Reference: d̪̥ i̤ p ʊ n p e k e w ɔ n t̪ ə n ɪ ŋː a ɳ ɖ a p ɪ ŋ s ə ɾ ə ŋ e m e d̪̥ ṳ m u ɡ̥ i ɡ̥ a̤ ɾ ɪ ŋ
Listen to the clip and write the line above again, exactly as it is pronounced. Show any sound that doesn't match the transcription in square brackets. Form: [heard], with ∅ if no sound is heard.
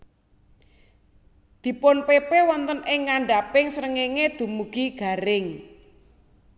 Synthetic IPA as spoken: d̪̥ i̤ p ʊ n p e [p] e w ɔ n t̪ ə n ɪ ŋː a ɳ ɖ a p ɪ ŋ s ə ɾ ə ŋ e [ŋ] e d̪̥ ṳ m u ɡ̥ i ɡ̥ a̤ ɾ ɪ ŋ